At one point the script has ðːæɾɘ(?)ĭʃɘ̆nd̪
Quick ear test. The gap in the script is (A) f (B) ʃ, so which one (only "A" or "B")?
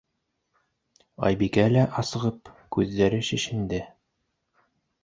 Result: B